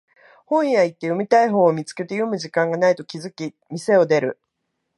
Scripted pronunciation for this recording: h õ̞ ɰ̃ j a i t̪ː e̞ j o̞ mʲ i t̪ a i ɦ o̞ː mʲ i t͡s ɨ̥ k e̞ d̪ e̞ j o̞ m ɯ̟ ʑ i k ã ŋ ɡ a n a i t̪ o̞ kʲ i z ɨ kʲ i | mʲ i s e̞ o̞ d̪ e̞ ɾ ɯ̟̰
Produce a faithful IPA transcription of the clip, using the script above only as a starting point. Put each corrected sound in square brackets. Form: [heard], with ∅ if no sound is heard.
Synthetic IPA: h õ̞ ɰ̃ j a i t̪ː e̞ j o̞ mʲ i t̪ a i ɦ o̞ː mʲ i t͡s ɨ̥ k e̞ [t̪] e̞ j o̞ m ɯ̟ ʑ i k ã ŋ ɡ a n a i t̪ o̞ kʲ i z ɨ kʲ i | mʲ i s e̞ o̞ d̪ e̞ ɾ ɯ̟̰